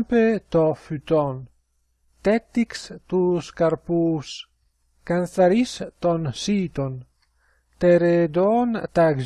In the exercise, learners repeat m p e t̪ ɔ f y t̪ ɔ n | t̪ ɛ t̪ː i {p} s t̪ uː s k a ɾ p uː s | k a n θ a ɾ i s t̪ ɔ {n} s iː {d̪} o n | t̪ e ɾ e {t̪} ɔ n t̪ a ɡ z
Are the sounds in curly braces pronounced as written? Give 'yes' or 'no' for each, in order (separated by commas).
no, yes, no, no